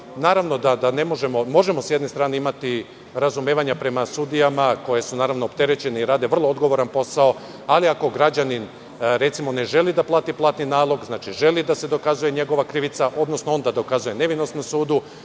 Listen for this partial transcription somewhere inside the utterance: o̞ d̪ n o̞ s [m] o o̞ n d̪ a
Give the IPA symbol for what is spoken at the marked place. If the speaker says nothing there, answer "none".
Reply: n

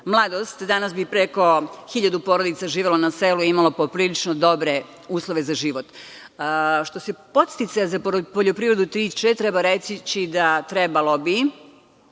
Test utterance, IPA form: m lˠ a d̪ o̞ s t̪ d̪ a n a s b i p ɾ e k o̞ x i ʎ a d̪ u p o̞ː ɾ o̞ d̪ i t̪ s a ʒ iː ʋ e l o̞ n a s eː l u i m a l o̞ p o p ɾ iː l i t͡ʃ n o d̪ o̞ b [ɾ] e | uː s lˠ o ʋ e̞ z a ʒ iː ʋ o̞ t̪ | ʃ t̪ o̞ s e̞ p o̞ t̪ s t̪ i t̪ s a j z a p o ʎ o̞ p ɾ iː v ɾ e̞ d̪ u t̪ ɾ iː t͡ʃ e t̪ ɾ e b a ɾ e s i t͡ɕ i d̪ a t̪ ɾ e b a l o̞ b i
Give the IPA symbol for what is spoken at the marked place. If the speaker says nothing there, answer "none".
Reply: ɾ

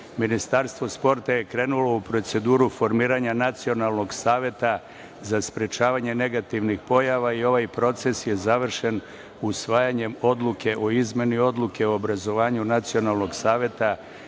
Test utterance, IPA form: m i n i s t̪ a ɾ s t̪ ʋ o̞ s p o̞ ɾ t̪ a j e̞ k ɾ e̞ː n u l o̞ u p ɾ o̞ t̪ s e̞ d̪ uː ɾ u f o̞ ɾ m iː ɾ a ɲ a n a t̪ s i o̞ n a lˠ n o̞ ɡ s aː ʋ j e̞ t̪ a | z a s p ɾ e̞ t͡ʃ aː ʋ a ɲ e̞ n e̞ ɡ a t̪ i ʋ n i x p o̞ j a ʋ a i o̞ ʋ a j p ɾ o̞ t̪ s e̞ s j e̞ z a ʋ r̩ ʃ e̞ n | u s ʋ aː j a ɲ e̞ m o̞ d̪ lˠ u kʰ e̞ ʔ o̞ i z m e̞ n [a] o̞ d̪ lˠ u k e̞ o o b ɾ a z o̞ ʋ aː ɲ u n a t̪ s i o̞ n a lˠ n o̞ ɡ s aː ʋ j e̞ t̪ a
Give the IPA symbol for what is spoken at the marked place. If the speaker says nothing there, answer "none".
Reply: i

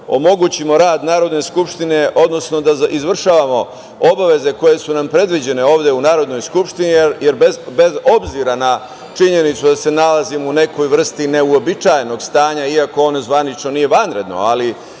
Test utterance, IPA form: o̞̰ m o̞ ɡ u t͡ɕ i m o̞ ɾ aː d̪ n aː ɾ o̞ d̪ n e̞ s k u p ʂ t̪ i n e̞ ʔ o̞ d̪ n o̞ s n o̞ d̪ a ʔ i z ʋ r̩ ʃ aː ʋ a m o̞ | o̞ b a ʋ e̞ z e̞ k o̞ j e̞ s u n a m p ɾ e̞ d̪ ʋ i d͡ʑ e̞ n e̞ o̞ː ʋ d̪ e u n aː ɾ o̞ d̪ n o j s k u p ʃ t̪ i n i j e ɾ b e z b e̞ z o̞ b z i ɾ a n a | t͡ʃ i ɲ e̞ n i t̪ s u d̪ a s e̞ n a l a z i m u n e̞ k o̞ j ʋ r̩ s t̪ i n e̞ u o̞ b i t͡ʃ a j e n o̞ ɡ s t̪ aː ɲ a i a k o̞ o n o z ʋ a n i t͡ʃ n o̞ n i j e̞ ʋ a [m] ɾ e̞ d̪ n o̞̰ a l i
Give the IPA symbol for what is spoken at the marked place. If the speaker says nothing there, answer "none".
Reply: n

